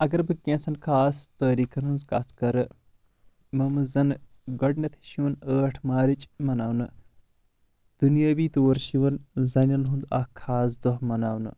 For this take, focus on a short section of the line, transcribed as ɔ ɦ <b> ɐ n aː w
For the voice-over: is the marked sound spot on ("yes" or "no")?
no